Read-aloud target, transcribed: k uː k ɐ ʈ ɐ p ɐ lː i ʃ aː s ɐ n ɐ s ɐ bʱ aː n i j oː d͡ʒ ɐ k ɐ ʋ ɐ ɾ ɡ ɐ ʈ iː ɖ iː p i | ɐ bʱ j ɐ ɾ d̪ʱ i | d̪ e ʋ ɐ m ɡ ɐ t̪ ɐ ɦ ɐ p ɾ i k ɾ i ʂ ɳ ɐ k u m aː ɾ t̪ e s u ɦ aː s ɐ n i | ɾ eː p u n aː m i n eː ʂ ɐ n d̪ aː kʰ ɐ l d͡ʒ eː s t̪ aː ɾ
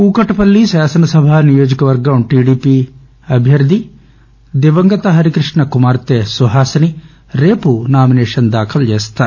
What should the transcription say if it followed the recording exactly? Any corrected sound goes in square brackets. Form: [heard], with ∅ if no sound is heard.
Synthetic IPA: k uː k ɐ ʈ ɐ p ɐ lː i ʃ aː s ɐ n ɐ s ɐ bʱ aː n i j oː d͡ʒ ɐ k ɐ ʋ ɐ ɾ ɡ ɐ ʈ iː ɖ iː p i | ɐ bʱ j ɐ ɾ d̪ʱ i | d̪ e ʋ ɐ [ŋ] ɡ ɐ t̪ ɐ ɦ ɐ [∅] ɾ i k ɾ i ʂ ɳ ɐ k u m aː ɾ t̪ e s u ɦ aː s ɐ n i | ɾ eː p u n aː m i n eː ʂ ɐ n d̪ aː kʰ ɐ l d͡ʒ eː s t̪ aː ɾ